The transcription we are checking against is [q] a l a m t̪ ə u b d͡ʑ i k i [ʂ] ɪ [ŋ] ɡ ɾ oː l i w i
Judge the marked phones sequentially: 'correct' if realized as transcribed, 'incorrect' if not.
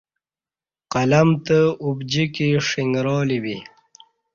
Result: correct, correct, correct

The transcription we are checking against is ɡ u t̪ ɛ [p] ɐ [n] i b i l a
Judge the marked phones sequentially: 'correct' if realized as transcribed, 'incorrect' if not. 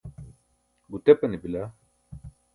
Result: correct, correct

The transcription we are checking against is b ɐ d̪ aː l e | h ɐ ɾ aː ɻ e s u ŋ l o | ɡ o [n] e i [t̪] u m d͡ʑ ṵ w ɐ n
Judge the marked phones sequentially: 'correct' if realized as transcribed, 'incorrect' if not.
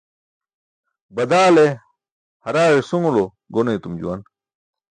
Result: correct, correct

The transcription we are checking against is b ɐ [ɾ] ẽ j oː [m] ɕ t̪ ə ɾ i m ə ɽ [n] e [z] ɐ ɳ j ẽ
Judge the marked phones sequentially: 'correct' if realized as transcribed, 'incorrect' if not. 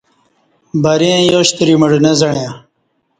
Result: correct, incorrect, correct, correct

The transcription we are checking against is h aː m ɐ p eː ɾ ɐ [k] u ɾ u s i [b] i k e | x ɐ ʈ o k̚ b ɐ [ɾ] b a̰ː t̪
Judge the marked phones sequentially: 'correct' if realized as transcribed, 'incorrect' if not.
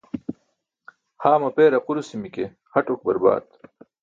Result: incorrect, incorrect, correct

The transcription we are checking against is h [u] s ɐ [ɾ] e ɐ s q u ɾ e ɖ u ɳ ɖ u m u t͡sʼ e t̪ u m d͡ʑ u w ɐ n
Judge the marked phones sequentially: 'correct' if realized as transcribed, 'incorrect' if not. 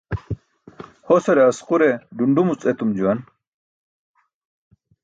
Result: incorrect, correct

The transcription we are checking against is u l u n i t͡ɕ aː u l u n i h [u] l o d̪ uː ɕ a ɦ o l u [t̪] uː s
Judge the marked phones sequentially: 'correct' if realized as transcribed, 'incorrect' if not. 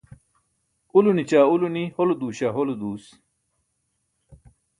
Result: incorrect, incorrect

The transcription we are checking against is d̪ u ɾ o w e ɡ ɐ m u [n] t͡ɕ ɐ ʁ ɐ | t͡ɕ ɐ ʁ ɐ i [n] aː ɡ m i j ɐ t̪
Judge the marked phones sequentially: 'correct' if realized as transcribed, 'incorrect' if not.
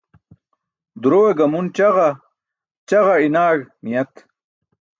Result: correct, correct

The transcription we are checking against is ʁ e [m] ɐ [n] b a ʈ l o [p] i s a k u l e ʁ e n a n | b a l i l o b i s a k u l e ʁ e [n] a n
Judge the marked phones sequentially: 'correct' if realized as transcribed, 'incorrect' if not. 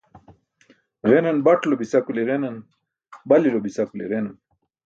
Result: incorrect, correct, incorrect, correct

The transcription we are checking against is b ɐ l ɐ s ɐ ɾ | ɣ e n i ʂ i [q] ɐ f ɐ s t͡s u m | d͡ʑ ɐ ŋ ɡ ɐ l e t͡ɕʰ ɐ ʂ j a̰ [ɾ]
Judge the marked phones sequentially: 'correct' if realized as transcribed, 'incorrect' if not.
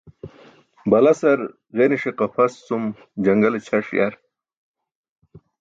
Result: correct, correct

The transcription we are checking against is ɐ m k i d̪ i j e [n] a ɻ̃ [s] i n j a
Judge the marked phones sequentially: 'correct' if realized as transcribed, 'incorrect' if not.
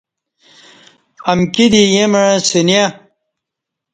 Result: incorrect, correct

